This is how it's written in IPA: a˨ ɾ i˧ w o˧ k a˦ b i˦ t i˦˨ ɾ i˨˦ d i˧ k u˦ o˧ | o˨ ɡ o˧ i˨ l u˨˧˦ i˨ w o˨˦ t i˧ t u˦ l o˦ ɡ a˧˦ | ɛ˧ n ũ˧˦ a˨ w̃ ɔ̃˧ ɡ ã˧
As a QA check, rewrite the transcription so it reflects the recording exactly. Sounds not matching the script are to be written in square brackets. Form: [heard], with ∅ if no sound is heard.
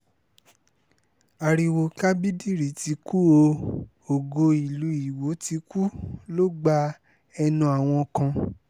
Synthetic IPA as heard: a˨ ɾ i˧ w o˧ k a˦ b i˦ [d] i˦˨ ɾ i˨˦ [t] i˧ k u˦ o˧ | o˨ ɡ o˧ i˨ l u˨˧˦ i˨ w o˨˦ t i˧ [k] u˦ l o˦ [ɡ͡b] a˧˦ | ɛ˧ n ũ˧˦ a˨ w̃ ɔ̃˧ [k] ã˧